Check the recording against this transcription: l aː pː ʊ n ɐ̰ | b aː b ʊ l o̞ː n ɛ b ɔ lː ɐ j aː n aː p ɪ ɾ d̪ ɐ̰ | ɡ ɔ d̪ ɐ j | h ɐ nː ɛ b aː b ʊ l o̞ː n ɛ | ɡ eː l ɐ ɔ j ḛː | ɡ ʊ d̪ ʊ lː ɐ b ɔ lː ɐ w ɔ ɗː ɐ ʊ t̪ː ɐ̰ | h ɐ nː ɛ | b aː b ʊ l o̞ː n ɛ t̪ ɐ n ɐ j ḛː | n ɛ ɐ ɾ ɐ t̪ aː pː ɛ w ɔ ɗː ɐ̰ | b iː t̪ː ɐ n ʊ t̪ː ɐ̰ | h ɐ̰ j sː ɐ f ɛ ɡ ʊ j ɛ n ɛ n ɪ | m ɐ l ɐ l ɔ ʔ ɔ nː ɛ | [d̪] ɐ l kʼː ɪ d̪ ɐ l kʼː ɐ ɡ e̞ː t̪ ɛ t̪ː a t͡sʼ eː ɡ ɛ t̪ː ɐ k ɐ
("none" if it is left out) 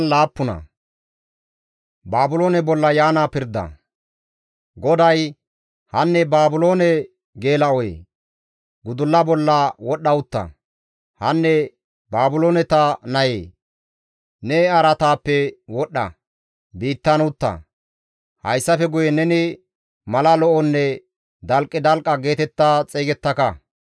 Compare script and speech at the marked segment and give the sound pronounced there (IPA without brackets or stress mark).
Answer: d̪